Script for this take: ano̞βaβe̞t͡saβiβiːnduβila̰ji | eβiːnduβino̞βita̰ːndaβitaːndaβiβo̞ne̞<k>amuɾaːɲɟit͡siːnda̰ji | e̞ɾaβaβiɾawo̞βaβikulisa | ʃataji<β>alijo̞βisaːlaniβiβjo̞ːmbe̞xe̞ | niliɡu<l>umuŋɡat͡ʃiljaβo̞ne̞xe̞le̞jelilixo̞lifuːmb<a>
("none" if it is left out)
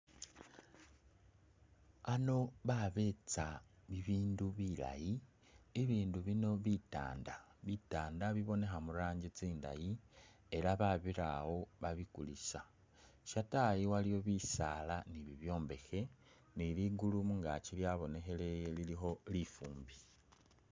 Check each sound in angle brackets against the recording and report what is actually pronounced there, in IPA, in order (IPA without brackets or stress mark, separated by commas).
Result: x, w, l, i